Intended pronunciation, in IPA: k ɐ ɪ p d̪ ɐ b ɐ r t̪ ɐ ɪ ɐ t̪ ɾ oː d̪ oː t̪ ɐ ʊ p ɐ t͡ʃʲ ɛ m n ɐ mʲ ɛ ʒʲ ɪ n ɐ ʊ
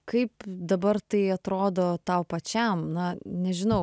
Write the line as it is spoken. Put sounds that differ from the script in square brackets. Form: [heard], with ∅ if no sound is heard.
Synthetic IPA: k ɐ ɪ p d̪ ɐ b ɐ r t̪ ɐ ɪ ɐ t̪ ɾ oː d̪ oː t̪ ɐ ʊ p ɐ t͡ʃʲ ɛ m n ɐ [nʲ] ɛ ʒʲ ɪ n ɐ ʊ